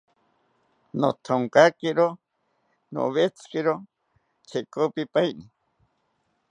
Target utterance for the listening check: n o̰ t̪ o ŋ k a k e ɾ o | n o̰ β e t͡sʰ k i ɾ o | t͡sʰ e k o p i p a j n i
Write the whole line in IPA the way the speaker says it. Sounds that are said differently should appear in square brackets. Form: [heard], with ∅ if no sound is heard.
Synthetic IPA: n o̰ [t̪ʰ] o ŋ k a k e ɾ o | n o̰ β e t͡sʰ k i ɾ o | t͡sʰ e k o p i p a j n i